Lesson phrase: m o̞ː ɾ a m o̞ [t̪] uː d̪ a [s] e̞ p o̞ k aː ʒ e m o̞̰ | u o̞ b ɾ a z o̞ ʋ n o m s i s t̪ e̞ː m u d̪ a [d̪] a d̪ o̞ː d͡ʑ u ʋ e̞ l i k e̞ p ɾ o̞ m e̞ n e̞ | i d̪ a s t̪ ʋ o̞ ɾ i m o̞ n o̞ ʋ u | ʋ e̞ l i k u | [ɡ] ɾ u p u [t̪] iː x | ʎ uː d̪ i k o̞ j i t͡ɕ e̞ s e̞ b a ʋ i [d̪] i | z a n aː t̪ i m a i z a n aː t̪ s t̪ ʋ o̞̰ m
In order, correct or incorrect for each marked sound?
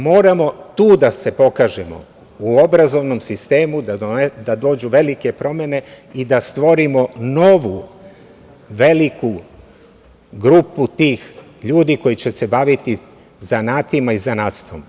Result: correct, correct, correct, correct, correct, incorrect: t̪

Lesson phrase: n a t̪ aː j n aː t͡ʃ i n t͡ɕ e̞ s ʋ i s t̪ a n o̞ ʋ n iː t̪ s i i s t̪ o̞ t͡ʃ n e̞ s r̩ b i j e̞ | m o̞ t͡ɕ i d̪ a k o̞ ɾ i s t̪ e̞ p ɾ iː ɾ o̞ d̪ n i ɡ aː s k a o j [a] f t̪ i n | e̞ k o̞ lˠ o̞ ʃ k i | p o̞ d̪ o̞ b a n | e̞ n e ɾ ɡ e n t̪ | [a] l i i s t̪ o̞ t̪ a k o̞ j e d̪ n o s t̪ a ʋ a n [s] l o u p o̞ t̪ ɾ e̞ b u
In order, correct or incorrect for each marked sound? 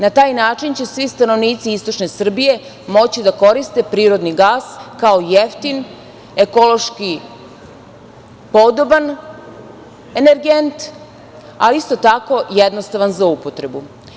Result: incorrect: e, correct, incorrect: z

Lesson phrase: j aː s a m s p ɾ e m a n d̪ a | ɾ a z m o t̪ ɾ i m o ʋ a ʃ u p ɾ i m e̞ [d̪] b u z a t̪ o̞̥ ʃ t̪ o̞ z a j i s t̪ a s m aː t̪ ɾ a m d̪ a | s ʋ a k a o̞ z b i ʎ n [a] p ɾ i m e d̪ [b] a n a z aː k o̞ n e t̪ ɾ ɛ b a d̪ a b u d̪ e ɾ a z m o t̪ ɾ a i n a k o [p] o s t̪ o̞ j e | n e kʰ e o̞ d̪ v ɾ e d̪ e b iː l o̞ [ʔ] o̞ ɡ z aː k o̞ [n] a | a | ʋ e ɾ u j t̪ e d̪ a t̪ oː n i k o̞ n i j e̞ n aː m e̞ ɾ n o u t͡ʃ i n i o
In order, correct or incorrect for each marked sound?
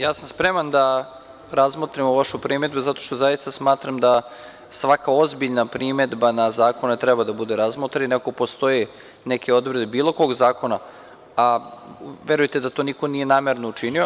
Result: correct, correct, correct, correct, incorrect: k, correct

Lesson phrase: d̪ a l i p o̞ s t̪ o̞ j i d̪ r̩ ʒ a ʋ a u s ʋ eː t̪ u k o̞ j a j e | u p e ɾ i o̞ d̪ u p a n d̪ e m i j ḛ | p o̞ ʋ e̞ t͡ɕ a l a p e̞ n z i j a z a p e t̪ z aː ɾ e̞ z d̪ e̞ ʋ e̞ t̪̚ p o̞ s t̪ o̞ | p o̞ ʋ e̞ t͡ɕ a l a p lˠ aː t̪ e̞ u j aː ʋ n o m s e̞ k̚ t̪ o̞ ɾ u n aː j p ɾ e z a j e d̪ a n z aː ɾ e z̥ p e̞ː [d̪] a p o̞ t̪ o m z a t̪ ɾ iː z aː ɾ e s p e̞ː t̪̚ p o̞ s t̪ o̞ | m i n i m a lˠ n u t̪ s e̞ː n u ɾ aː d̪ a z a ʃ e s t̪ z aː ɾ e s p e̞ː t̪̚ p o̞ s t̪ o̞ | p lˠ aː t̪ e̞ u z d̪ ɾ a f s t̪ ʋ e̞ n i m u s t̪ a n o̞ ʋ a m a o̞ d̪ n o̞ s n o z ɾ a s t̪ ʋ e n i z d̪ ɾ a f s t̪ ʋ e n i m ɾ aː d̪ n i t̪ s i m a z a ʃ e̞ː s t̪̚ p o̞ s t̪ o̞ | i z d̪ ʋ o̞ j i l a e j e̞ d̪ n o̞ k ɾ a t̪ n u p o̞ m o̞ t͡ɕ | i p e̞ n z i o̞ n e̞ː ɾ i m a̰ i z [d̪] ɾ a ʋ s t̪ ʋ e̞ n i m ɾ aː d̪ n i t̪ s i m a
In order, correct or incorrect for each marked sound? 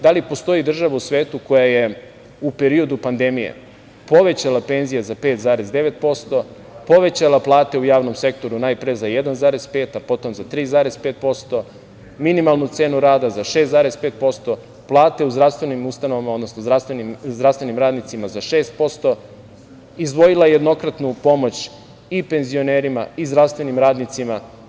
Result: incorrect: t̪, correct

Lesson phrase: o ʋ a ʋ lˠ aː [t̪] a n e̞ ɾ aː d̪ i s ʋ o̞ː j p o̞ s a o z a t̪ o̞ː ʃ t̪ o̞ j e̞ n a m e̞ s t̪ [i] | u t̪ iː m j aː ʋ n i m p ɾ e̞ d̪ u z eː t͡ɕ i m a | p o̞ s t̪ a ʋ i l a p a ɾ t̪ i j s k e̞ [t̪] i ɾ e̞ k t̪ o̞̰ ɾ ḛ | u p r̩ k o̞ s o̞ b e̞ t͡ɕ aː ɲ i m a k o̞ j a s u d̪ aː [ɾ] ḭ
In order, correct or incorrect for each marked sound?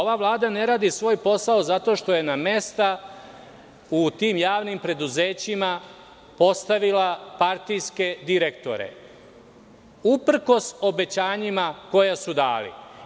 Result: incorrect: d̪, incorrect: a, incorrect: d̪, incorrect: l

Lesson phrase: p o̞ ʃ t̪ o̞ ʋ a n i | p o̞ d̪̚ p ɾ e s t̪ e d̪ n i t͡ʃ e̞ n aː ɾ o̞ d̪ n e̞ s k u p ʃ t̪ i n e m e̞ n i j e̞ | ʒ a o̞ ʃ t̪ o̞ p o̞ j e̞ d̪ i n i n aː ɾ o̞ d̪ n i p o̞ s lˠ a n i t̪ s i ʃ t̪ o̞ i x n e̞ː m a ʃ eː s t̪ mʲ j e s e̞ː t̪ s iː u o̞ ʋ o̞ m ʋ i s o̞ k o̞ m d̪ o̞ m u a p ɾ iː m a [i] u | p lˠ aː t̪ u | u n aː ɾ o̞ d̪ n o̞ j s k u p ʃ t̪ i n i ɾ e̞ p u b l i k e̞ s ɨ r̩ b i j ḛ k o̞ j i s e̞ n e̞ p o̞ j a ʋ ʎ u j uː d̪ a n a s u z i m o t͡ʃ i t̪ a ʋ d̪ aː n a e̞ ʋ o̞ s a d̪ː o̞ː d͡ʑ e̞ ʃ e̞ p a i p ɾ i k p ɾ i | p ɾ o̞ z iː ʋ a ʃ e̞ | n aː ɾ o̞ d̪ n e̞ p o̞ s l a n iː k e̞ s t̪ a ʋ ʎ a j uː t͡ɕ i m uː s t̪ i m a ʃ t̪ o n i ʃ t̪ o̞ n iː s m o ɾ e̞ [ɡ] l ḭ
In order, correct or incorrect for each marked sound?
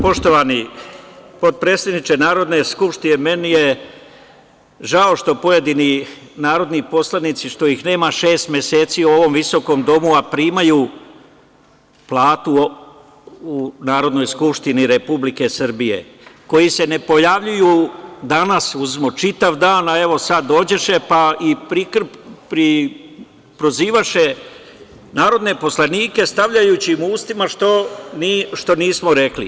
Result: incorrect: j, incorrect: k

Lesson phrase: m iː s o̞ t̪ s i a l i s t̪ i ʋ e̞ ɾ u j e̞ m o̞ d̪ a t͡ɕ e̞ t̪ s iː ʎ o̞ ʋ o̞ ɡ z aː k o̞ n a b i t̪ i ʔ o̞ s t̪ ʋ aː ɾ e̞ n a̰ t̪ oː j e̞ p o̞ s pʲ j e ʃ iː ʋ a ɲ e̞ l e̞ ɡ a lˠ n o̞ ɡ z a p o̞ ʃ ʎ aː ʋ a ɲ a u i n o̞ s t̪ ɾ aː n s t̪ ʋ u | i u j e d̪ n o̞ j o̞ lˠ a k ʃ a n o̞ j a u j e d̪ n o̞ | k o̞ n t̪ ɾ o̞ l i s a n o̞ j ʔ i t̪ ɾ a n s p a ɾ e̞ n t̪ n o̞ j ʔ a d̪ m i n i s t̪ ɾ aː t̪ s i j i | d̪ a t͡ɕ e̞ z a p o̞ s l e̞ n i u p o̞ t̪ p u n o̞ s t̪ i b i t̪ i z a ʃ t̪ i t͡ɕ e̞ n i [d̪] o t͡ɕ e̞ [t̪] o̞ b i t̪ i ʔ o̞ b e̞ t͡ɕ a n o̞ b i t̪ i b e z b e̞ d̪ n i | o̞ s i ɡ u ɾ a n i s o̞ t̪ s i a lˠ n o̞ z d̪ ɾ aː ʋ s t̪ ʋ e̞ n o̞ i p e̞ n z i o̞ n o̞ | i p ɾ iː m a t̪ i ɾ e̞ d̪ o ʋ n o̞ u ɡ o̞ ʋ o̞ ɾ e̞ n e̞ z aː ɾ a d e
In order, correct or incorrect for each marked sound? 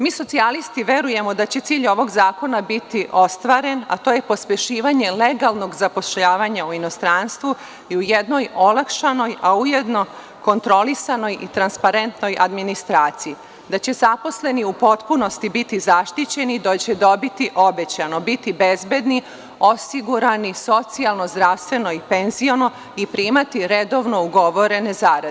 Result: correct, incorrect: d̪

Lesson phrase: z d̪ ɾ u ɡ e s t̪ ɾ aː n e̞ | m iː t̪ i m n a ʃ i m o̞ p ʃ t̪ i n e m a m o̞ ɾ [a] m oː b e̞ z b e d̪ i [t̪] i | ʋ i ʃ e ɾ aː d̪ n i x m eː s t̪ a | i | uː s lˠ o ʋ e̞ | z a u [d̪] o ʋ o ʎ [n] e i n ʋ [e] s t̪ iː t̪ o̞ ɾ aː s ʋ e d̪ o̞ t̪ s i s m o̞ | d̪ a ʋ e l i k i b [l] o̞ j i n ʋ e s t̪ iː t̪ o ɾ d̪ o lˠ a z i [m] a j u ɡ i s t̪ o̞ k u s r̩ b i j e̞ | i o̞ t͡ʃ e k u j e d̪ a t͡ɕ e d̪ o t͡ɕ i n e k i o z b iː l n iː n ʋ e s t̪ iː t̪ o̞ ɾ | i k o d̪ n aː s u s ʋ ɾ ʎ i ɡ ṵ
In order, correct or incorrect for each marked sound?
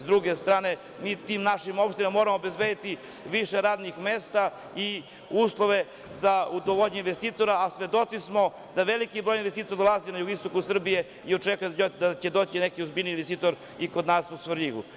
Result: correct, correct, correct, incorrect: ɲ, correct, incorrect: ɾ, incorrect: n

